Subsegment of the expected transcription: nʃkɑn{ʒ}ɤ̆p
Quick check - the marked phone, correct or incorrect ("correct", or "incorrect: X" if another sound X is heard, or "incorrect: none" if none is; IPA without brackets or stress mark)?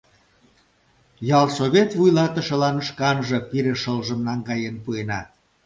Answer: correct